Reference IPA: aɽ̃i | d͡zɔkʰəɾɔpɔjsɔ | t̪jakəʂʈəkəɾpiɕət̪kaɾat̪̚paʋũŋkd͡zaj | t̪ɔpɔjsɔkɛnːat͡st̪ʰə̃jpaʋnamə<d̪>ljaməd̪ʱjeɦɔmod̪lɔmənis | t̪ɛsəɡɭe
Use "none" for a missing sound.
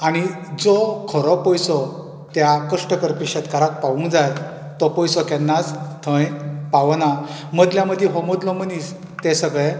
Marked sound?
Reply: d̪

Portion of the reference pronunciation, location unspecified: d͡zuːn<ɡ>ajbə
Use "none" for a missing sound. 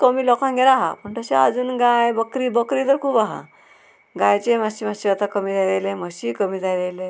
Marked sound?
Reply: ɡ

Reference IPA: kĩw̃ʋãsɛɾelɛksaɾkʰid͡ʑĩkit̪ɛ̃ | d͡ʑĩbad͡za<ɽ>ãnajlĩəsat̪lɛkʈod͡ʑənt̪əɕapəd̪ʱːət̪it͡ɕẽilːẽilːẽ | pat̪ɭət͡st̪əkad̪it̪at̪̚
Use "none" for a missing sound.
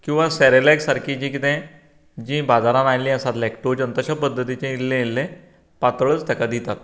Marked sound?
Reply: ɾ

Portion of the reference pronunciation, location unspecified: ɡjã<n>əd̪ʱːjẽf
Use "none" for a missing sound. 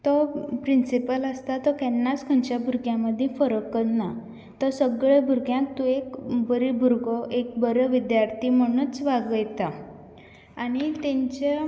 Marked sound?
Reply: m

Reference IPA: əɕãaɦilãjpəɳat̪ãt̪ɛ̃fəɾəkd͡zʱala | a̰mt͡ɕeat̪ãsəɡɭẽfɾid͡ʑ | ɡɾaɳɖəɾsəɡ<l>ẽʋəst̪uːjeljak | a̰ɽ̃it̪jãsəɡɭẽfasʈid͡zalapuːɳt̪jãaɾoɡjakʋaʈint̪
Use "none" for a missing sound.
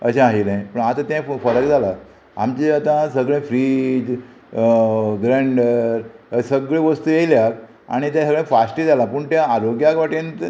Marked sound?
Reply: ɭ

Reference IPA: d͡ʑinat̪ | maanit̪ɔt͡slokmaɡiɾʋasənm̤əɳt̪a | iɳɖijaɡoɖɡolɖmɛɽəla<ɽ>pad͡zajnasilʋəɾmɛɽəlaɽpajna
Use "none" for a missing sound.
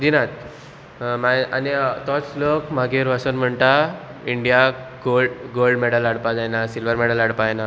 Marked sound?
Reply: ɽ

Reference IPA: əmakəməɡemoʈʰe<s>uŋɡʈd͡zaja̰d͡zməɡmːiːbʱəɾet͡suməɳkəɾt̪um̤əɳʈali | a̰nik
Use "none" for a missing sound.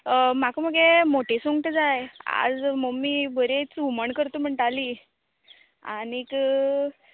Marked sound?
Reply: s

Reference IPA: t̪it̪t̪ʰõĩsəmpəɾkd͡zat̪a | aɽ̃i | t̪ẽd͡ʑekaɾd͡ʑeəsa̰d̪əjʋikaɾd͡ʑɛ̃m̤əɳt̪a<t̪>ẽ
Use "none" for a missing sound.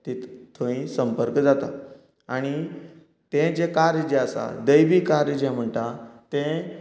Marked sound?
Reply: t̪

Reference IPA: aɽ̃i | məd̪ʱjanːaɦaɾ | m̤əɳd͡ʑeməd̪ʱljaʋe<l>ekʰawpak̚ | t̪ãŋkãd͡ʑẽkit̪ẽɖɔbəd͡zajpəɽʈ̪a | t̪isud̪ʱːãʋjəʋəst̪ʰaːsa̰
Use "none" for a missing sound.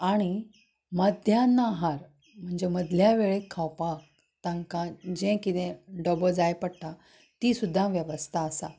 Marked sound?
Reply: ɭ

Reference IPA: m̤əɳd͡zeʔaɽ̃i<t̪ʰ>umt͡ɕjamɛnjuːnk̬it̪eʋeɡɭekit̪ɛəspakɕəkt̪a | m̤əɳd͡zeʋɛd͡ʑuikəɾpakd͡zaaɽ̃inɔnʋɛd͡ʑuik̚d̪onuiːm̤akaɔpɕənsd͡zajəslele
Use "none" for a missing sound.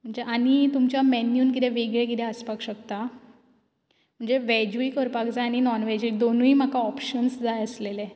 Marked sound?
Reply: t̪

